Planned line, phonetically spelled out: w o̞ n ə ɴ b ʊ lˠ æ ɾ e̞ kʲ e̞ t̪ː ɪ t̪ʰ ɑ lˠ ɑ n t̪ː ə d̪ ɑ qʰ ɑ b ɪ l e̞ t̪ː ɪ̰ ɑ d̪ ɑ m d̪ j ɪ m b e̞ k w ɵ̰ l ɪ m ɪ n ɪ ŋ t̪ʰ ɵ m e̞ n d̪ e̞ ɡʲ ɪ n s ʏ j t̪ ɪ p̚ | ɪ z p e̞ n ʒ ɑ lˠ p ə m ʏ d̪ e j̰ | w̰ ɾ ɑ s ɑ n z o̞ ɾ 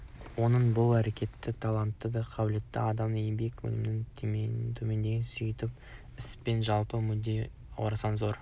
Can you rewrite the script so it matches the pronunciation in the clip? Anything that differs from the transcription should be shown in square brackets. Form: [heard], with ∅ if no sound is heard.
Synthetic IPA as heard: w o̞ n ə ɴ b ʊ lˠ æ ɾ e̞ kʲ e̞ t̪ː ɪ t̪ʰ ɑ lˠ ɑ n t̪ː ə d̪ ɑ qʰ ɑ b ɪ l e̞ t̪ː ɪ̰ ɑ d̪ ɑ m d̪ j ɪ m b e̞ k w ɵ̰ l ɪ m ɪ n ɪ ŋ t̪ʰ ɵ m e̞ n d̪ e̞ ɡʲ ɪ n s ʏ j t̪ ɪ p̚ | ɪ [s] p e̞ n ʒ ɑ lˠ p ə m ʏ d̪ e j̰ | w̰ ɾ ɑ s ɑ n z o̞ ɾ